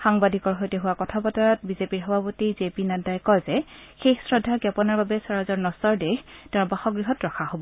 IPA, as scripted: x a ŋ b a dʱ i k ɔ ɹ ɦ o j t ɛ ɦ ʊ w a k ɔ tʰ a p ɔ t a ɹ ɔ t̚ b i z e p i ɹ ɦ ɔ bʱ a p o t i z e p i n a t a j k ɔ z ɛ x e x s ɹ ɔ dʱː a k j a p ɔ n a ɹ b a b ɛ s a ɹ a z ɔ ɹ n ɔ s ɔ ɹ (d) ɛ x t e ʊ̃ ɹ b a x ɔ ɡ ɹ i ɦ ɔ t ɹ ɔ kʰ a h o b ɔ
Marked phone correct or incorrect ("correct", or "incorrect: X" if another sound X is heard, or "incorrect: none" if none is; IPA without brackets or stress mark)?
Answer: correct